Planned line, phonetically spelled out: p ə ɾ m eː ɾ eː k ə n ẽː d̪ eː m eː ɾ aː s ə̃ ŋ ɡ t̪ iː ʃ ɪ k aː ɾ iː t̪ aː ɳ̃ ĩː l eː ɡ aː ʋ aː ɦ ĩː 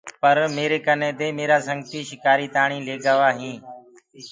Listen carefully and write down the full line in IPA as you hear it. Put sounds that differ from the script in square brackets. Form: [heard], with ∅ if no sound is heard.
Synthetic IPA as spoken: p ə ɾ m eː ɾ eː k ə n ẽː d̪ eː m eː ɾ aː s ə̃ ŋ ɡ t̪ iː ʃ ɪ k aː ɾ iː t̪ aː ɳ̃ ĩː l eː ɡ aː ʋ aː ɦ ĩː

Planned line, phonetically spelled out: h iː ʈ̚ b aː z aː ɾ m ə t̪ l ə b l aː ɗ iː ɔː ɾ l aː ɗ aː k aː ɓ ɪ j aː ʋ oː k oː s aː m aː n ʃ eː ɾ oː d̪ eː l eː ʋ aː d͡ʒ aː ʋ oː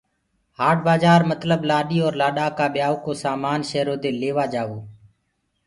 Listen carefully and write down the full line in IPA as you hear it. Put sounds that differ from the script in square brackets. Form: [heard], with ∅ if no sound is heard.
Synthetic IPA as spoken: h [aː] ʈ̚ b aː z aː ɾ m ə t̪ l ə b l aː ɗ iː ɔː ɾ l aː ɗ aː k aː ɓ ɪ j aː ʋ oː k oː s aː m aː n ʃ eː ɾ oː d̪ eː l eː ʋ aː d͡ʒ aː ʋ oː

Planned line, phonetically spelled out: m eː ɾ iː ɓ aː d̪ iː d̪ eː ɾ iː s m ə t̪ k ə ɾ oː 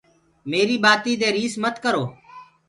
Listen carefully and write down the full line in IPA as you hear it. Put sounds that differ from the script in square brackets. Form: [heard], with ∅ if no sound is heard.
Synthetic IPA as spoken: m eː ɾ iː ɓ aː [t̪] iː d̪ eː ɾ iː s m ə t̪ k ə ɾ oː

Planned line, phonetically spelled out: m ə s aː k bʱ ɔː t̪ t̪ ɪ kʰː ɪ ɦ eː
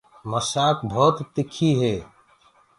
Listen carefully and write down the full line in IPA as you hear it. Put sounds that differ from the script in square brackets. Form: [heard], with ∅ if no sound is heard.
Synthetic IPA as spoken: m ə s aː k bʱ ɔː t̪ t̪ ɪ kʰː [i] ɦ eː

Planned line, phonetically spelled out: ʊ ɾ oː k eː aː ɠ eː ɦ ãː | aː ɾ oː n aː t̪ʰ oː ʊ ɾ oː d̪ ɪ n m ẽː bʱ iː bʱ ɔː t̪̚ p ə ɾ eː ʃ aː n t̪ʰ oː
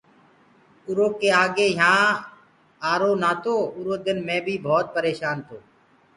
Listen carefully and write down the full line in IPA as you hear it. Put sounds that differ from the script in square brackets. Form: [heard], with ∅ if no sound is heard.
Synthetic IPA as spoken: ʊ ɾ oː k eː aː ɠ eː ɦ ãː | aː ɾ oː n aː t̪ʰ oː ʊ ɾ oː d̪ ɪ n m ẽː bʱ iː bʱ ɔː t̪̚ p ə ɾ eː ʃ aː n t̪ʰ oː

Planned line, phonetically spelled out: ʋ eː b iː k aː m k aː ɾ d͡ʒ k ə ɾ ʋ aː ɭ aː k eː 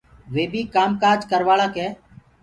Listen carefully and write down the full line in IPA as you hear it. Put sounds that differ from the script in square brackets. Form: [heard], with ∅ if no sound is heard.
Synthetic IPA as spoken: ʋ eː b iː k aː m k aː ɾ d͡ʒ k ə ɾ ʋ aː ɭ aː k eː

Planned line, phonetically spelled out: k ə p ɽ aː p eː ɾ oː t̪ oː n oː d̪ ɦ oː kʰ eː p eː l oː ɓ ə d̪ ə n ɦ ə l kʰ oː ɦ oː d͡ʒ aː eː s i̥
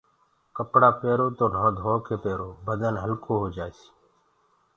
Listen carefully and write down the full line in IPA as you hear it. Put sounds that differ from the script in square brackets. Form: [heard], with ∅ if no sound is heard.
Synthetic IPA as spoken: k ə p ɽ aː p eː ɾ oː t̪ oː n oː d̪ ɦ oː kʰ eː p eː [ɾ] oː [b] ə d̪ ə n ɦ ə l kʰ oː ɦ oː d͡ʒ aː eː s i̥

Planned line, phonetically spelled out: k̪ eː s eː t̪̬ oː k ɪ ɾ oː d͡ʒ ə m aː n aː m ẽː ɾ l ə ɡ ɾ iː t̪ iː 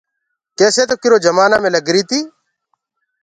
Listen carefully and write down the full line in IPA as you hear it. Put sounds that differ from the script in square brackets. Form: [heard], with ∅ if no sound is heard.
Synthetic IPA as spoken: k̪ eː s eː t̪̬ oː k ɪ ɾ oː d͡ʒ ə m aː n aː m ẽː [∅] l ə ɡ ɾ iː t̪ iː

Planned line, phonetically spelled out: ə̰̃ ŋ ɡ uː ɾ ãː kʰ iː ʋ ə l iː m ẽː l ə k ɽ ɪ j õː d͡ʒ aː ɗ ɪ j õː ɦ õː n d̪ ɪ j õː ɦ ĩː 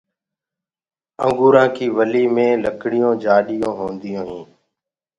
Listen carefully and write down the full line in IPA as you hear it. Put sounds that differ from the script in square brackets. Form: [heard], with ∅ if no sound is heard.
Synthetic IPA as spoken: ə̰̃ ŋ ɡ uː ɾ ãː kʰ iː ʋ ə l iː m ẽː l ə k ɽ ɪ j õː d͡ʒ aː ɗ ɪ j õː ɦ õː n d̪ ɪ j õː ɦ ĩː

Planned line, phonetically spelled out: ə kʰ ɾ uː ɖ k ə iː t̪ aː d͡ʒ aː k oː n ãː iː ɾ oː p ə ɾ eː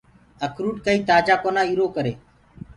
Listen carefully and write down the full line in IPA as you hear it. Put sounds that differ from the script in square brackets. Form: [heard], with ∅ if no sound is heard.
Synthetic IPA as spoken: ə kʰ ɾ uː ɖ k ə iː t̪ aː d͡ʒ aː k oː n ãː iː ɾ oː [k] ə ɾ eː

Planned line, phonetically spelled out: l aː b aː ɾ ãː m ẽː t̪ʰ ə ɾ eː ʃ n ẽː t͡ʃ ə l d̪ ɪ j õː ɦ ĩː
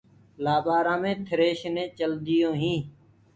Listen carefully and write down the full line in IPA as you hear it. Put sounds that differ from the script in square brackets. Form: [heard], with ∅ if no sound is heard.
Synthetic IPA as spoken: l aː b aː ɾ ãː m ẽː t̪ʰ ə ɾ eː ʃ n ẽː t͡ʃ ə l d̪ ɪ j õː ɦ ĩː

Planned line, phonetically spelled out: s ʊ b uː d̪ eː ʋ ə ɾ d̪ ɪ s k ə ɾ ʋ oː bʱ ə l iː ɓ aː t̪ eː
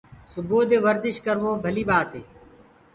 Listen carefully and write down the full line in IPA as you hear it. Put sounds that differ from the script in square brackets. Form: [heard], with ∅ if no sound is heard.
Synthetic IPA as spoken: s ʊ b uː d̪ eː ʋ ə ɾ d̪ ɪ [ʃ] k ə ɾ ʋ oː bʱ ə l iː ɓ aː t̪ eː

